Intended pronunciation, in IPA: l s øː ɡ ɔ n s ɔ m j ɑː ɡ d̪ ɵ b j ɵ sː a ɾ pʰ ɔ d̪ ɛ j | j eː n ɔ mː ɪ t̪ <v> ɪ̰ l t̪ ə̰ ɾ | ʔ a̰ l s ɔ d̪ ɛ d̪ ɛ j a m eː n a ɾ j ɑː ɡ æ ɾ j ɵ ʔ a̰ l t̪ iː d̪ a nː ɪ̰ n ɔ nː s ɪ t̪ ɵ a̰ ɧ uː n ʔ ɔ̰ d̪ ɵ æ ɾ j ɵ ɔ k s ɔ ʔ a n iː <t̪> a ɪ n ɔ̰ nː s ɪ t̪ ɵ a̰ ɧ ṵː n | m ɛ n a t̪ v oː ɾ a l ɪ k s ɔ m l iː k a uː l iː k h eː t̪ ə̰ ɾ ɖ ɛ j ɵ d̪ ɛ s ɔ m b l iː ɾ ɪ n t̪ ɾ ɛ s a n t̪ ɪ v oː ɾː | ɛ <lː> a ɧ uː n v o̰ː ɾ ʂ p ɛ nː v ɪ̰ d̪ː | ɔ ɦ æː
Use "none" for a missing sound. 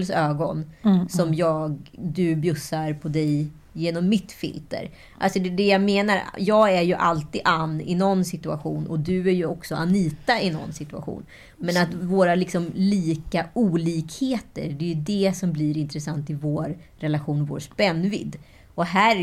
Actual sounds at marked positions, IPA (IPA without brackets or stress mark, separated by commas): f, t̪, l